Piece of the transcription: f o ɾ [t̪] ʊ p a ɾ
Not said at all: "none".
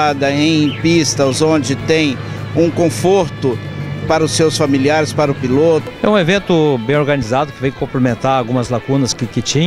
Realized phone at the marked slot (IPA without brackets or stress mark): t̪